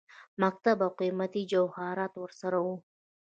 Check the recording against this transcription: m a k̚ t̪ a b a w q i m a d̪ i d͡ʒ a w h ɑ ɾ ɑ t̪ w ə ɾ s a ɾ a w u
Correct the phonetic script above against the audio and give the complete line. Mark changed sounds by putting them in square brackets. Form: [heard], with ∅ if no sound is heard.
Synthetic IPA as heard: m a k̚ t̪ a b a w q i m a [t̪] i d͡ʒ a w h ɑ ɾ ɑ t̪ w ə ɾ s a ɾ a w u